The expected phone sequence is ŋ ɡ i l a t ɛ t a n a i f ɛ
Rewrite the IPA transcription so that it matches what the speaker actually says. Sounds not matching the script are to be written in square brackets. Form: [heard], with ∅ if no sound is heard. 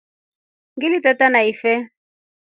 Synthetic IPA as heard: ŋ ɡ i l [i] t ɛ t a n a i f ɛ